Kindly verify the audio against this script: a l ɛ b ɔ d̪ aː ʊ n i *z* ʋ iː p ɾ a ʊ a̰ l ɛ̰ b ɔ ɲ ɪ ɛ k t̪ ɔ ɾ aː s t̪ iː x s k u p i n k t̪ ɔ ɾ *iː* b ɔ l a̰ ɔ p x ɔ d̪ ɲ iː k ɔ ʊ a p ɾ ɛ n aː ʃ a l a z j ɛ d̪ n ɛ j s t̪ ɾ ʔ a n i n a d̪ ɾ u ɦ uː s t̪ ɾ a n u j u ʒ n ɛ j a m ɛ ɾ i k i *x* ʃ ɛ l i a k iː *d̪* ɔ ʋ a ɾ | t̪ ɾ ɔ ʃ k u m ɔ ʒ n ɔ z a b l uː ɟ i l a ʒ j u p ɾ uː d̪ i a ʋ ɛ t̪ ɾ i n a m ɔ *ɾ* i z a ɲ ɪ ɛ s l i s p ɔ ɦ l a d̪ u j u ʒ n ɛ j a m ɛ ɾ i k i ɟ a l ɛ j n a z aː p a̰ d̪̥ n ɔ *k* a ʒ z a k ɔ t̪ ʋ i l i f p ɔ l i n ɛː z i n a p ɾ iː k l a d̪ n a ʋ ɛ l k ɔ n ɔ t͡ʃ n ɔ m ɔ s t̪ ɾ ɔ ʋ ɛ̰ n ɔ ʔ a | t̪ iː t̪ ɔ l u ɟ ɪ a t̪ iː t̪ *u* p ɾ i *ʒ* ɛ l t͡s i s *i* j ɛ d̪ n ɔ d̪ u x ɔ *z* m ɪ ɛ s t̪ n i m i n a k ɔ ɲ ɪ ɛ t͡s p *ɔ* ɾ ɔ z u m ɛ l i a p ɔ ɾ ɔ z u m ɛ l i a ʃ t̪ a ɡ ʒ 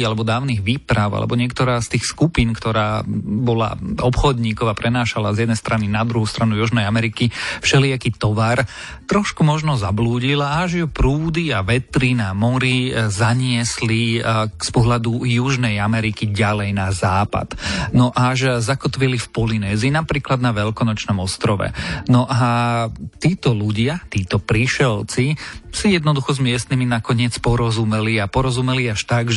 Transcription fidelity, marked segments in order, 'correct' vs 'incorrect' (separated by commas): incorrect, incorrect, incorrect, incorrect, correct, incorrect, incorrect, incorrect, correct, correct, correct